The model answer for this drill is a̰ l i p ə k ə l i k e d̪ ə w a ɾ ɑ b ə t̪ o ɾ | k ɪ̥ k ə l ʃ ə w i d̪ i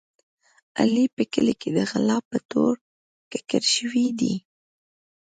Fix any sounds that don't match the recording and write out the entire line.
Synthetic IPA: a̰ l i p ə k ə l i k e d̪ ə ɣ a l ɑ p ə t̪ o ɾ | k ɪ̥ k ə ɾ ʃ ə w i d̪ i